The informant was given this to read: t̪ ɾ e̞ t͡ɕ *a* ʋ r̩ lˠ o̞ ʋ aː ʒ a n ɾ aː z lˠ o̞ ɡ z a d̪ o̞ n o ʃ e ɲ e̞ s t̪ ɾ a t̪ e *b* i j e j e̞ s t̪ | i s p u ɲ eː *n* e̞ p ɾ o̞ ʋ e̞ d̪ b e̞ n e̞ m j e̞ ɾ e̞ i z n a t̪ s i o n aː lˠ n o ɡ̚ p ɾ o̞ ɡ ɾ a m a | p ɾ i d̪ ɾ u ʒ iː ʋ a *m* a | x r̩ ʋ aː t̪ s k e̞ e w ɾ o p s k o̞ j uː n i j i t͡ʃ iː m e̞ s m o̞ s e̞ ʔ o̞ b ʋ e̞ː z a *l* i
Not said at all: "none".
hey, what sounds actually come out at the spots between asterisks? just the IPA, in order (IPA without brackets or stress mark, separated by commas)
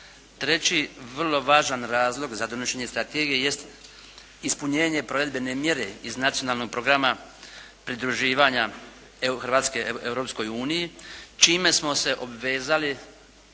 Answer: i, ɡ, ɲ, ɲ, l